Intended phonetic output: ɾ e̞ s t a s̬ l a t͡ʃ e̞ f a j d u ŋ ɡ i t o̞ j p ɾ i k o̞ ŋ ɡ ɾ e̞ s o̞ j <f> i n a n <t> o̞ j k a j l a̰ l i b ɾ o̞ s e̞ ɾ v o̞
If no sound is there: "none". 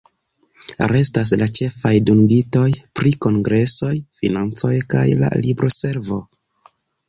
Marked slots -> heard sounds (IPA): f, t͡s

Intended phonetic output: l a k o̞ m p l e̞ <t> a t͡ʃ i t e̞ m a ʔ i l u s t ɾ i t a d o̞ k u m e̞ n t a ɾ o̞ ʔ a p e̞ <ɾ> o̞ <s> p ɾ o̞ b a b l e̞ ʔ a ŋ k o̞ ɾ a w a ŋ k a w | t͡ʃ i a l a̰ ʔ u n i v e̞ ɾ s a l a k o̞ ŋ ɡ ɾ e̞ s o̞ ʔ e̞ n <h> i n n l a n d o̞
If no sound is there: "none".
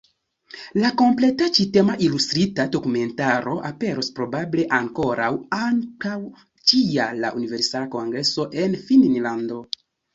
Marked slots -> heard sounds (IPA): t, ɾ, s, f

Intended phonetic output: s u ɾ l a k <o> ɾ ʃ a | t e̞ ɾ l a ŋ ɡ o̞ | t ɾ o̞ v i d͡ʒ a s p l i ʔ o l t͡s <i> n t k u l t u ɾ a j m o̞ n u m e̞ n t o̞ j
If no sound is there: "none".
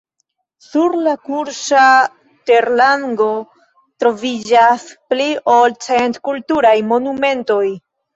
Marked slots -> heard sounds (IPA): u, e

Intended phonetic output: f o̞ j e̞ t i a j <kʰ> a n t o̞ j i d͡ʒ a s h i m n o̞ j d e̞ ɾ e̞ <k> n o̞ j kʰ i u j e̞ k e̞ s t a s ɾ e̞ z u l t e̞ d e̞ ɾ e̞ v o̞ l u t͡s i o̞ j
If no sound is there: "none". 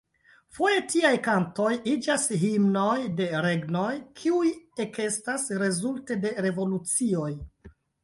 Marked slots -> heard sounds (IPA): k, ɡ

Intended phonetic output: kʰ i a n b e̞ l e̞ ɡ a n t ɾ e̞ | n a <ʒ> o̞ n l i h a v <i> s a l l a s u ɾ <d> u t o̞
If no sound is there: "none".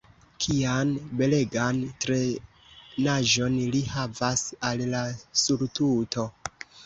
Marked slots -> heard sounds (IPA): ʒ, a, t

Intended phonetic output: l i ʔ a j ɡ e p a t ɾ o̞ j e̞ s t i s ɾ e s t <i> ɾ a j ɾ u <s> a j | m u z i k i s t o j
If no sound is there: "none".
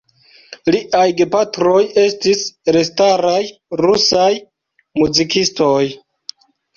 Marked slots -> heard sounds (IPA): a, s

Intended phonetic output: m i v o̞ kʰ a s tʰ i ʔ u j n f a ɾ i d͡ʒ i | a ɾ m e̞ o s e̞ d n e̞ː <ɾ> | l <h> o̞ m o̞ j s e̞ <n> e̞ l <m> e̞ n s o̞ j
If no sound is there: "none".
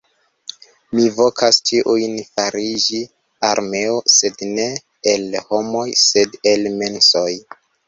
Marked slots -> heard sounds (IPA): none, h, d, m

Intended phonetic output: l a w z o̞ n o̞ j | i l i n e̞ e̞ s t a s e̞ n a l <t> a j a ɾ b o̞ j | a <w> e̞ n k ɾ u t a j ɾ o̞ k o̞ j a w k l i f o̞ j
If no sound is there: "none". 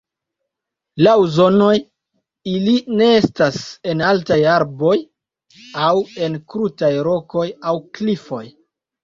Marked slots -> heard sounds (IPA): t, w

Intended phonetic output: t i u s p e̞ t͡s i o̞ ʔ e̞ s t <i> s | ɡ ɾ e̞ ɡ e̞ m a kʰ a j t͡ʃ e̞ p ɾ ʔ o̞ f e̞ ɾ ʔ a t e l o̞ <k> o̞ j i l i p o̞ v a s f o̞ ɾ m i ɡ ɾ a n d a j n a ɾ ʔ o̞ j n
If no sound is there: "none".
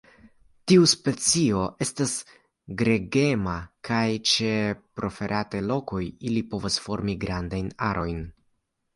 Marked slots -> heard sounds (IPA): a, k

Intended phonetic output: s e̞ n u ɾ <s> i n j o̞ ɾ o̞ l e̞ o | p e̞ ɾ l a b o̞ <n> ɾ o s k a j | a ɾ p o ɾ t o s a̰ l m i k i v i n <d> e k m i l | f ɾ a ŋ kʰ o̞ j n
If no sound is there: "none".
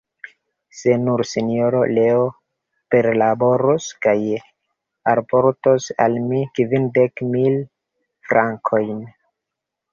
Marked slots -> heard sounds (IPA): s, none, d

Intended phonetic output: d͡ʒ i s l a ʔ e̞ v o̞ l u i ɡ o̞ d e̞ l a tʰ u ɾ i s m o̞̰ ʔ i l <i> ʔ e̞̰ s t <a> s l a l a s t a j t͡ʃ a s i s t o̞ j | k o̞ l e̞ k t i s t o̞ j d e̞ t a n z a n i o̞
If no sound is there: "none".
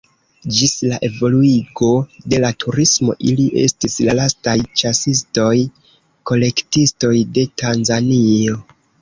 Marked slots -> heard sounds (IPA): i, i

